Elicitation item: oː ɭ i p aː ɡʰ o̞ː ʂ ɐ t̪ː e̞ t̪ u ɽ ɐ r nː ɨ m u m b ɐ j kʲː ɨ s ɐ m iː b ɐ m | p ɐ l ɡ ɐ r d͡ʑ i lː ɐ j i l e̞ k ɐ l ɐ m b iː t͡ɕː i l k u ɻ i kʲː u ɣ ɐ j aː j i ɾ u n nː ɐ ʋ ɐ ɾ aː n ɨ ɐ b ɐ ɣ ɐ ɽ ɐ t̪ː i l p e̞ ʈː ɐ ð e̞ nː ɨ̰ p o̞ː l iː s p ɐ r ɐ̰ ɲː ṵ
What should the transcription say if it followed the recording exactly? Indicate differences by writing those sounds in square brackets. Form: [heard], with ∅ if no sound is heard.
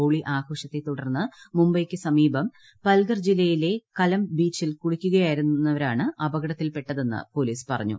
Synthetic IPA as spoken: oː ɭ i [ʔ] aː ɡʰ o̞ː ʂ ɐ t̪ː e̞ t̪ u ɽ ɐ r nː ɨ m u m b ɐ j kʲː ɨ s ɐ m iː b ɐ m | p ɐ l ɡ ɐ r d͡ʑ i lː ɐ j i l e̞ k ɐ l ɐ m b iː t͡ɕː i l k u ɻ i kʲː u ɣ ɐ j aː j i ɾ u n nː ɐ ʋ ɐ ɾ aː [ɳ] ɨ ɐ b ɐ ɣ ɐ ɽ ɐ t̪ː i l p e̞ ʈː ɐ ð e̞ nː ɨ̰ p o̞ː l iː s p ɐ r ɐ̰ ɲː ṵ